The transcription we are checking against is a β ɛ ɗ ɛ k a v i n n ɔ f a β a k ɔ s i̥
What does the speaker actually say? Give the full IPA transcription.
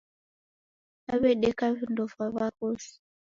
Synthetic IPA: a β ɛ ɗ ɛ k a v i n d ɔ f a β a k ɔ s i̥